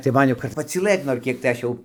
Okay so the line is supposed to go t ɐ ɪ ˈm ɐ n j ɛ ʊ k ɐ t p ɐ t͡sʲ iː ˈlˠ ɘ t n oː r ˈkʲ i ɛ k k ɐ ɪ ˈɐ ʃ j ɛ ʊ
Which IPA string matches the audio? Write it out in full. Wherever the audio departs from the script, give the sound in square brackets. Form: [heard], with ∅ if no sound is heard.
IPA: t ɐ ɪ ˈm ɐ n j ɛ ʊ k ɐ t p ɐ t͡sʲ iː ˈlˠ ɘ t n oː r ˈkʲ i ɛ k [t] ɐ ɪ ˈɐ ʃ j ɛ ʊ